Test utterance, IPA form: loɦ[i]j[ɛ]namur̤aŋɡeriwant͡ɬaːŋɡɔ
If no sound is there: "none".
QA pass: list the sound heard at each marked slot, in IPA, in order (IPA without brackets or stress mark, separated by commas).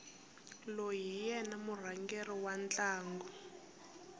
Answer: i, ɛ